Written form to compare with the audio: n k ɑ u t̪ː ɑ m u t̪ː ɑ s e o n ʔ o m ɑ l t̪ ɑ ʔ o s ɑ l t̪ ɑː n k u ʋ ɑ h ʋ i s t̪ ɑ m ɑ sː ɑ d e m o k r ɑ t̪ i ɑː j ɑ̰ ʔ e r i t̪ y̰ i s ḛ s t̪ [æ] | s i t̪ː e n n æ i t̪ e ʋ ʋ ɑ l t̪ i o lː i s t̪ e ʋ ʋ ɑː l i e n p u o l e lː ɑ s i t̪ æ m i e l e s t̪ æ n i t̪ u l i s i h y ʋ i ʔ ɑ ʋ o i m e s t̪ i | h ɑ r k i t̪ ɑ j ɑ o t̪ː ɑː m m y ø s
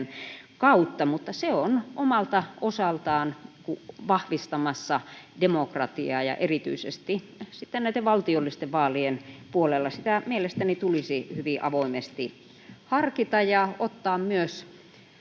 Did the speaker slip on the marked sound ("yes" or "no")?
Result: yes